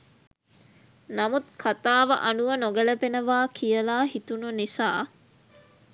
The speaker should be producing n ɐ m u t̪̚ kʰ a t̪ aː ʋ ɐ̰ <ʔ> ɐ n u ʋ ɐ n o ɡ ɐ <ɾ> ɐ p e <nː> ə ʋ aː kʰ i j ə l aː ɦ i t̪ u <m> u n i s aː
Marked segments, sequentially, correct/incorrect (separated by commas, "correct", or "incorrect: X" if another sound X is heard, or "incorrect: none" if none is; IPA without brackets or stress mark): correct, incorrect: l, incorrect: n, incorrect: n